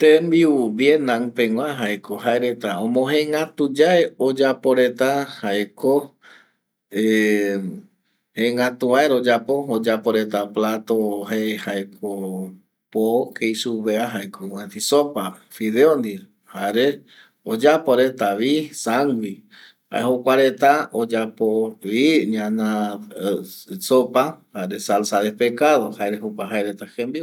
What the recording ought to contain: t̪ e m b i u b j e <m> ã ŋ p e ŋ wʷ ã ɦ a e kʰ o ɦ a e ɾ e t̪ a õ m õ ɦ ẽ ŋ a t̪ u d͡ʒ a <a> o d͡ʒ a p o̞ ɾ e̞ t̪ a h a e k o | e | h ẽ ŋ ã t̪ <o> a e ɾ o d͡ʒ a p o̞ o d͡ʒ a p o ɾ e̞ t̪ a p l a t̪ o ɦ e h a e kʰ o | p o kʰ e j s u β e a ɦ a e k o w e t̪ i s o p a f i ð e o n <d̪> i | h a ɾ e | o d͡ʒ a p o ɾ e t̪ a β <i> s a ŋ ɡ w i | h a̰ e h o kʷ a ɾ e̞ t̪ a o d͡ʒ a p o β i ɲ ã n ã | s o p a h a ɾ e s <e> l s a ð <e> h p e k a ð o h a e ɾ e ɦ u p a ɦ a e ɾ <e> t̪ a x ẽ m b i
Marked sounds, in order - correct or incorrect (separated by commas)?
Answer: incorrect, incorrect, incorrect, correct, correct, incorrect, correct, correct